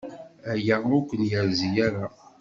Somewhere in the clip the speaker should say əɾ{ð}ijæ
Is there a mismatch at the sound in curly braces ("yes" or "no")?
yes